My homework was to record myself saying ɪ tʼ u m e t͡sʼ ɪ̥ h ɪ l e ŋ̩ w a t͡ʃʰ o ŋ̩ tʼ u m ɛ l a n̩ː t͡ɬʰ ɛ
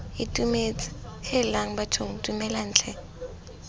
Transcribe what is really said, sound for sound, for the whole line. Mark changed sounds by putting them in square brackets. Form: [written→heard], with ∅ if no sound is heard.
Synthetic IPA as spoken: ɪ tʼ u m e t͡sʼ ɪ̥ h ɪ l [e→a] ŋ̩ [w→b] a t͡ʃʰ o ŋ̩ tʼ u m ɛ l a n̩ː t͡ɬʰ ɛ